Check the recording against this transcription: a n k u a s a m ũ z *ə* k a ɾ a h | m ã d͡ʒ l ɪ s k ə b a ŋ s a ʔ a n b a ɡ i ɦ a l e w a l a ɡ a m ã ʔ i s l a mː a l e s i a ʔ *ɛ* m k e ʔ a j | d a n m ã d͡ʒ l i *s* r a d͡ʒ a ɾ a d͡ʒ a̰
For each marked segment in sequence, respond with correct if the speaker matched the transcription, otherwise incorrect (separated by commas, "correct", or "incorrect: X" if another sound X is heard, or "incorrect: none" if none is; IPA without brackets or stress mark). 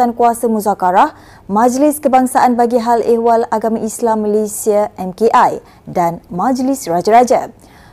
incorrect: a, correct, correct